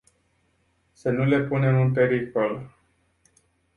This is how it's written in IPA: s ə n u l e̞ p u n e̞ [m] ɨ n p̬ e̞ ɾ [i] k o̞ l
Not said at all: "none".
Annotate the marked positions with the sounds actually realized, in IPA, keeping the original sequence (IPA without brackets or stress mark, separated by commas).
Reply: m, i